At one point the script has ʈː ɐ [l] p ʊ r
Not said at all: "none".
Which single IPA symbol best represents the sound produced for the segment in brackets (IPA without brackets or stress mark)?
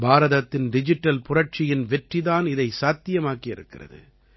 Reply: l